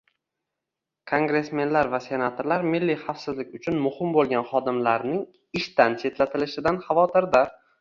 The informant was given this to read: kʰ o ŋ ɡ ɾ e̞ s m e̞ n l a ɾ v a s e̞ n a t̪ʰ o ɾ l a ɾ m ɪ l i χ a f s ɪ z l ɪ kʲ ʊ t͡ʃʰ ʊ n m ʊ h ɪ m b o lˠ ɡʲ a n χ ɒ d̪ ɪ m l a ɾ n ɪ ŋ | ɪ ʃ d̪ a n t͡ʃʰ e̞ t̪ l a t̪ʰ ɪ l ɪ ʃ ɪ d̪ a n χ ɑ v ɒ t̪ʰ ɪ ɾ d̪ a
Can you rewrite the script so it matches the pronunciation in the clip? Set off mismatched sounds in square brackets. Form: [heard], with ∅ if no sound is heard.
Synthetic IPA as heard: kʰ o ŋ ɡ ɾ e̞ s m e̞ n l a ɾ v a s e̞ n a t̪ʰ o ɾ l a ɾ m ɪ [lː] i χ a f s ɪ z l ɪ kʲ ʊ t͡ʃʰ ʊ n m ʊ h ɪ m b o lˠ ɡʲ a n χ ɒ d̪ ɪ m l a ɾ n ɪ ŋ | ɪ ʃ [t̪] a n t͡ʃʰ e̞ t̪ l a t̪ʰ ɪ l ɪ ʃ ɪ d̪ a n χ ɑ v ɒ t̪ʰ ɪ ɾ d̪ a